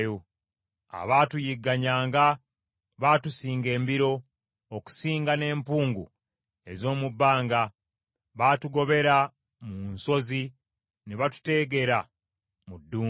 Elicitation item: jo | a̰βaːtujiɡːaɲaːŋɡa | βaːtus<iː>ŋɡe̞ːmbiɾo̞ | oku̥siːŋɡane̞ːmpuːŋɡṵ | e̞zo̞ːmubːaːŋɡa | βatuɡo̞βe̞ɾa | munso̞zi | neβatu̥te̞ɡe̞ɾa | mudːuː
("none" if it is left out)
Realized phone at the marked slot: iː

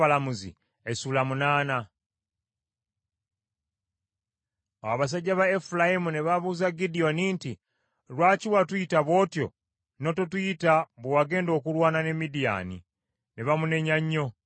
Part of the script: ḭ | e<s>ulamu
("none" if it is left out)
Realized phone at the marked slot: s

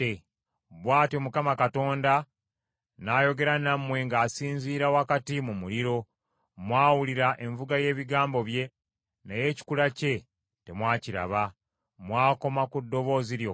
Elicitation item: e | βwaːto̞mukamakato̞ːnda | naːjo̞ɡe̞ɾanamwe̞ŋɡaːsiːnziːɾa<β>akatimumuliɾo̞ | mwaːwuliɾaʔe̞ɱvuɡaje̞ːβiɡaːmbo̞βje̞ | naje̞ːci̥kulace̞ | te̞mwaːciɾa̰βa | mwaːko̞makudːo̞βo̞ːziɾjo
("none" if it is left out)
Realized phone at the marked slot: w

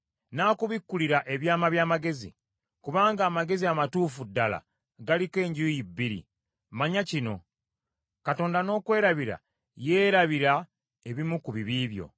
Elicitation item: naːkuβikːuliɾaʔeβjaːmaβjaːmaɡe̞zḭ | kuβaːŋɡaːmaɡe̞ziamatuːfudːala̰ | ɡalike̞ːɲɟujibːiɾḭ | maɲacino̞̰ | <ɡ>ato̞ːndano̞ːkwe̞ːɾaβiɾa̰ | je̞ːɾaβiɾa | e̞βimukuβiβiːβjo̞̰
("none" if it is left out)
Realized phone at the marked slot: k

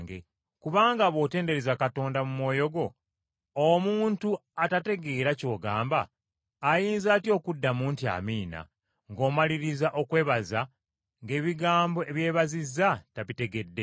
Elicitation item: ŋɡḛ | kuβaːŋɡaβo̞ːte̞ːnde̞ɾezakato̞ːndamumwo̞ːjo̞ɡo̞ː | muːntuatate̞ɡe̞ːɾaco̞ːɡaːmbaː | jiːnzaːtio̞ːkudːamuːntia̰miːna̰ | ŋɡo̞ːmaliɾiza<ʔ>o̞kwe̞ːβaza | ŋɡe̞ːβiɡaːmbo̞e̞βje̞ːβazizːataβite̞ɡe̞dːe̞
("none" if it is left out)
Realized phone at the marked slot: ʔ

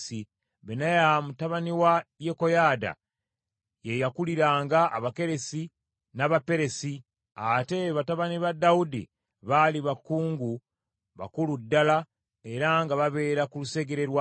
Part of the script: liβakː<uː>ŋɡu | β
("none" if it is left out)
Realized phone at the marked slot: uː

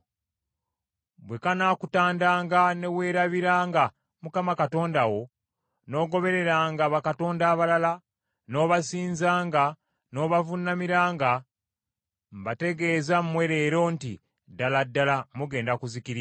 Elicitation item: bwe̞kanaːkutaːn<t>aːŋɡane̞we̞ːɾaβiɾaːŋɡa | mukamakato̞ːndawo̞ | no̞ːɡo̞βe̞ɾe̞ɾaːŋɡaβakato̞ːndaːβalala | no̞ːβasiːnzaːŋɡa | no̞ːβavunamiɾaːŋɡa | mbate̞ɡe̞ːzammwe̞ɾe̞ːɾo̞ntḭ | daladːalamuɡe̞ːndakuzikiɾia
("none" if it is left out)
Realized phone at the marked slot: d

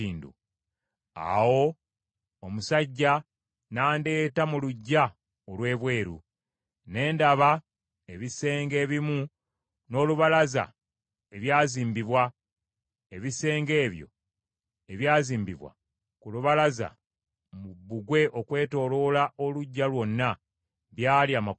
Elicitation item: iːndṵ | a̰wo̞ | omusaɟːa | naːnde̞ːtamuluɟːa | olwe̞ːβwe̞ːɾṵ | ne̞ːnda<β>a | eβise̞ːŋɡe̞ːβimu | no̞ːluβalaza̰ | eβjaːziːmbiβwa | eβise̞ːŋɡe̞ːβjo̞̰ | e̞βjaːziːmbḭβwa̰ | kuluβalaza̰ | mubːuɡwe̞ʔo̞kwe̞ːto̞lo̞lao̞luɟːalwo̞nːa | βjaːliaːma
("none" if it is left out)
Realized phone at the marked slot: β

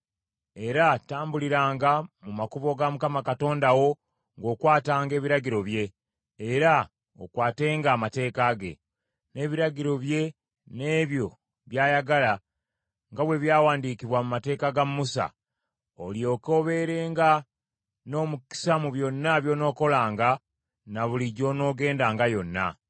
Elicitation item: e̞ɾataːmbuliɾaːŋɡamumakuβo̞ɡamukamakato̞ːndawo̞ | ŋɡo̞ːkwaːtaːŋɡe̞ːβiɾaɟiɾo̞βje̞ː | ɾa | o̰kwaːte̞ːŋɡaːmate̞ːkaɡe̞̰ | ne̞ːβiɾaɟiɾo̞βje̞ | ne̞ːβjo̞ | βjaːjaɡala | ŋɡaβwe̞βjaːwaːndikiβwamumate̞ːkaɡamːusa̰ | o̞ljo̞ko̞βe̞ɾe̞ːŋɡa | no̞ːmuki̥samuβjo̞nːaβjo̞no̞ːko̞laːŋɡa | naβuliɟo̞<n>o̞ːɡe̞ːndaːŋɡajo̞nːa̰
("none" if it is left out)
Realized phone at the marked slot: n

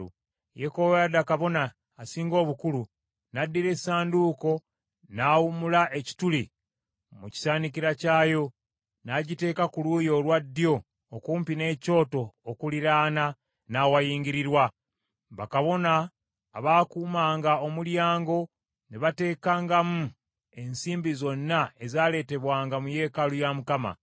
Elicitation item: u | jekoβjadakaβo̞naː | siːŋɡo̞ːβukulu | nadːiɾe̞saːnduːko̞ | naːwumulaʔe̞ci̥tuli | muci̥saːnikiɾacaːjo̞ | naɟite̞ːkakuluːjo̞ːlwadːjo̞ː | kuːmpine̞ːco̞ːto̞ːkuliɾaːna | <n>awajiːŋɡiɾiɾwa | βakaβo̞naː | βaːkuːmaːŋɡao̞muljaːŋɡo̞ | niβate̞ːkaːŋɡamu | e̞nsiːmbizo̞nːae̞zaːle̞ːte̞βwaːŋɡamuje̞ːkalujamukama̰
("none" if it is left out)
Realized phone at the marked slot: n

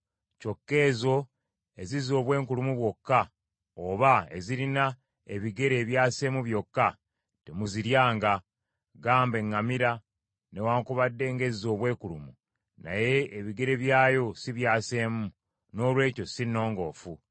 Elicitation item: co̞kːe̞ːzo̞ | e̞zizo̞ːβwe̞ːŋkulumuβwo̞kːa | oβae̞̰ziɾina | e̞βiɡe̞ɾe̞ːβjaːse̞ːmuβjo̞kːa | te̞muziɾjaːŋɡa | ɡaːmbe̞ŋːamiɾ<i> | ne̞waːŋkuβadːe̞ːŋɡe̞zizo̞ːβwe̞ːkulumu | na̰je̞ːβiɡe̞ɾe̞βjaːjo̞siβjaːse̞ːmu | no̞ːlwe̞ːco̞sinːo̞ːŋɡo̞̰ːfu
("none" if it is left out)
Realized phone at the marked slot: a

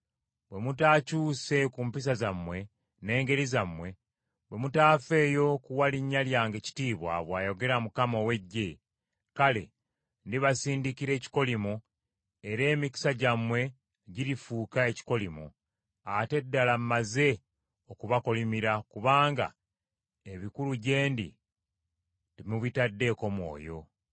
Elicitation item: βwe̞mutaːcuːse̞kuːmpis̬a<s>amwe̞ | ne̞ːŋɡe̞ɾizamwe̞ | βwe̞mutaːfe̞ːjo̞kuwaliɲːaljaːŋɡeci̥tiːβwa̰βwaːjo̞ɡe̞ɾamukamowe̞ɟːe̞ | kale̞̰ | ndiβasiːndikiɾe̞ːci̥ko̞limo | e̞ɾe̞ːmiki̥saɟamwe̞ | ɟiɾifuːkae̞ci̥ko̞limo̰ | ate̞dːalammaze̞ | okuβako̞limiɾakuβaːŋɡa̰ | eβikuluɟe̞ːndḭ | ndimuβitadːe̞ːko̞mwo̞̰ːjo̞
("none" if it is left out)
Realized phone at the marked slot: z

